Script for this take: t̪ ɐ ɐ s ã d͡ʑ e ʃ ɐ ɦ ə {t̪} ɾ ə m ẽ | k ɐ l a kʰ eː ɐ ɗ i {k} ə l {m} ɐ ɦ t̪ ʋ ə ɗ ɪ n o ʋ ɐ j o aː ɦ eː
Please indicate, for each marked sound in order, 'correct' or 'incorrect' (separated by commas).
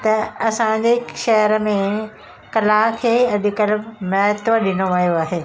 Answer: incorrect, correct, correct